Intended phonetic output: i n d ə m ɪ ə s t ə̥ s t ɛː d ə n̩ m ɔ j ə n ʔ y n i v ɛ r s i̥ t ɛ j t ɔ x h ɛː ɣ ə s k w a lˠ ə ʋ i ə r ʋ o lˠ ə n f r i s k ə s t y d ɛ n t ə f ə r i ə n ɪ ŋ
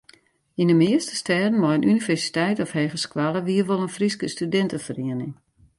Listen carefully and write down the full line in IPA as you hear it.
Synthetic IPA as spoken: i n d ə m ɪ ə s t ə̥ s t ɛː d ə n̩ m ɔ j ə n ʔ y n i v ɛ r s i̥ t ɛ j t ɔ f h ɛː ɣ ə s k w a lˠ ə ʋ i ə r ʋ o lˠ ə n f r i s k ə s t y d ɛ n t ə f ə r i ə n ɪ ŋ